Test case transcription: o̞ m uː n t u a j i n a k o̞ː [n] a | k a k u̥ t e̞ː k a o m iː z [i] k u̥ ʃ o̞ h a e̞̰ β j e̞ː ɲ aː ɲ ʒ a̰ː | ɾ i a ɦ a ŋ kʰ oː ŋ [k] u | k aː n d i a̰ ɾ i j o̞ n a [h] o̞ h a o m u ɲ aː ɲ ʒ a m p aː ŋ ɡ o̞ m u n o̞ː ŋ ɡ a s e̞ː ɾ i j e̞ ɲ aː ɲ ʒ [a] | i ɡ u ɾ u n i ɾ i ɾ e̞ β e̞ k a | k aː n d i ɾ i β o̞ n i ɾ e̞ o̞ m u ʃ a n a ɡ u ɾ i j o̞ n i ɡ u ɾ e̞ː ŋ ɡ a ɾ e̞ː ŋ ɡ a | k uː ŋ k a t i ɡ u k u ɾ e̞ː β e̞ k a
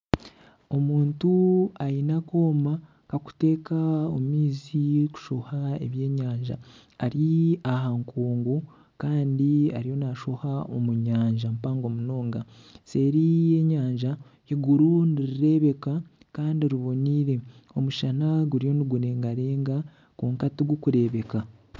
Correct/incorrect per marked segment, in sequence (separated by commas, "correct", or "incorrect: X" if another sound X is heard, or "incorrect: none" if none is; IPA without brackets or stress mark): incorrect: m, correct, incorrect: ɡ, incorrect: ʃ, correct